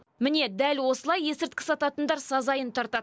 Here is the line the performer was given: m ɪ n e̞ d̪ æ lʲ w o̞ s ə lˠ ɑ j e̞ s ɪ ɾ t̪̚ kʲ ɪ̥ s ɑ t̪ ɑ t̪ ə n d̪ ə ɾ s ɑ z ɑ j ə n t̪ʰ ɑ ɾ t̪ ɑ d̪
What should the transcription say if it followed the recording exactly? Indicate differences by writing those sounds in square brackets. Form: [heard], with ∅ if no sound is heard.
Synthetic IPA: m ɪ n e̞ d̪ æ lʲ w o̞ s ə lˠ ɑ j e̞ s ɪ ɾ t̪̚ kʲ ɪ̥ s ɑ t̪ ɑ t̪ ə n d̪ [ɑ] ɾ s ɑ z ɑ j ə n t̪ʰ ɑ ɾ t̪ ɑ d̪